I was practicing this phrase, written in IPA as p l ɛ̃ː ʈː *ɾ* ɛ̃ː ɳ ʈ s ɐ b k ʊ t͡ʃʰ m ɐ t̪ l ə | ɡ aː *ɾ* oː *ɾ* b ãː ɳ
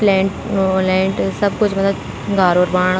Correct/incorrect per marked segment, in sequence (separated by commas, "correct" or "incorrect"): incorrect, correct, correct